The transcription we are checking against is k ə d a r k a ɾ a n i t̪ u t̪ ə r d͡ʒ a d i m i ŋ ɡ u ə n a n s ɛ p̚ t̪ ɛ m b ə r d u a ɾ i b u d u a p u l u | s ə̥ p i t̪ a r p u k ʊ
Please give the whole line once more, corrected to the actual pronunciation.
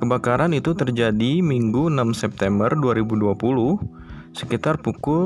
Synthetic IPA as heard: k ə b a k a ɾ a n i t̪ u t̪ ə r d͡ʒ a d i m i ŋ ɡ u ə n a m s ɛ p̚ t̪ ɛ m b ə r d u a ɾ i b u d u a p u l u | s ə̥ k i t̪ a r p u k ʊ